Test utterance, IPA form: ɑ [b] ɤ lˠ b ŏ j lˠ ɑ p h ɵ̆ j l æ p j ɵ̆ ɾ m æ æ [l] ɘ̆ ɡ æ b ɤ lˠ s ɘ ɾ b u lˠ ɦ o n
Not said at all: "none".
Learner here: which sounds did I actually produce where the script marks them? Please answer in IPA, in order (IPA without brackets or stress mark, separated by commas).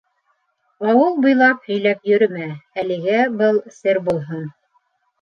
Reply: w, l